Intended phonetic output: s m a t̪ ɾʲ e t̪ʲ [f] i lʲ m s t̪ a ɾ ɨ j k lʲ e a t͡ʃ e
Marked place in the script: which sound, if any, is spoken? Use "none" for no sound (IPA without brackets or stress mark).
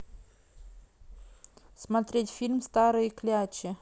f